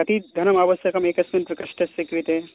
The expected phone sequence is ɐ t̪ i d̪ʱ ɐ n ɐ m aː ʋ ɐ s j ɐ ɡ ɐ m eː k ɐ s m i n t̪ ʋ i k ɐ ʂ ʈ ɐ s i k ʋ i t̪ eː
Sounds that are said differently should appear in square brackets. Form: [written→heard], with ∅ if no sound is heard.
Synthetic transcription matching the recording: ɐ t̪ i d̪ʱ ɐ n ɐ m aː ʋ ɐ s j ɐ [ɡ→k] ɐ m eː k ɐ s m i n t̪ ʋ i k ɐ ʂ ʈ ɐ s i k ʋ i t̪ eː